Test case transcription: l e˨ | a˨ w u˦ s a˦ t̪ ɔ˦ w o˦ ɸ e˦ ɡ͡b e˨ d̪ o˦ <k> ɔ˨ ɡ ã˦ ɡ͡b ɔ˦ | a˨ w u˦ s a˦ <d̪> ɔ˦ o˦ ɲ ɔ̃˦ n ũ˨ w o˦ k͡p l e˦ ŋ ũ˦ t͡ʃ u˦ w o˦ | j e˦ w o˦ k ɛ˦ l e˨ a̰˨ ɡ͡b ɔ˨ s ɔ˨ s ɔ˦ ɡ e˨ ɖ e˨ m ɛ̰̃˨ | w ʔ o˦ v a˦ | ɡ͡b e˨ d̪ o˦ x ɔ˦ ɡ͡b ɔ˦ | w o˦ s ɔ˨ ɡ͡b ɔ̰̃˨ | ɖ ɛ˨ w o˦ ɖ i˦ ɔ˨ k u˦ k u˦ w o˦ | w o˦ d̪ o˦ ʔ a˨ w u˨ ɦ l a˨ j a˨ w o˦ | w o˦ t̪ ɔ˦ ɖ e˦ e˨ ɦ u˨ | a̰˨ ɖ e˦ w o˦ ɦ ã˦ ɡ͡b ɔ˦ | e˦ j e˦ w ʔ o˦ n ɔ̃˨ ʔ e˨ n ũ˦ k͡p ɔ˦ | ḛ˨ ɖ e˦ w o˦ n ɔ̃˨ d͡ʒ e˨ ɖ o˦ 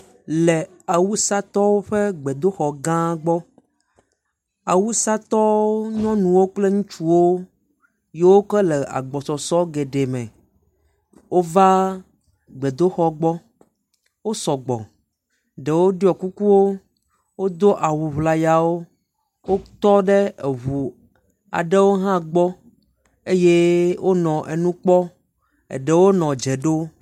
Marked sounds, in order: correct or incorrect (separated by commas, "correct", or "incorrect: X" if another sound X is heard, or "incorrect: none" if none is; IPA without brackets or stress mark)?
incorrect: x, incorrect: t̪